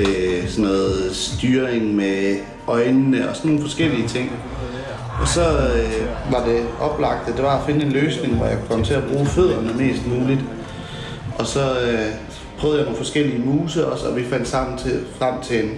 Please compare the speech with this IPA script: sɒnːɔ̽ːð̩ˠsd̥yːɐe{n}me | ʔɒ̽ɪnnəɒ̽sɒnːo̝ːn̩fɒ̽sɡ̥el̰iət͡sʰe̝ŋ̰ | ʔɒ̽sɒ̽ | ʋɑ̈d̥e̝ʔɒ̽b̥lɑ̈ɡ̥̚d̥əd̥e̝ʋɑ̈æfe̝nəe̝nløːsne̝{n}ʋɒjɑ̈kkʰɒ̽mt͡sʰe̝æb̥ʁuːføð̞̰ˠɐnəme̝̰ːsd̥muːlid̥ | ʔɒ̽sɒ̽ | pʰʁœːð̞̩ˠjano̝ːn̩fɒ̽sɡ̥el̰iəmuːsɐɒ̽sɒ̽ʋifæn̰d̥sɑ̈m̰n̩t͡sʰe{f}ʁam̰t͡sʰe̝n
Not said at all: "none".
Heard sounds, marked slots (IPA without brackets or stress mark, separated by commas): ŋ, ŋ, f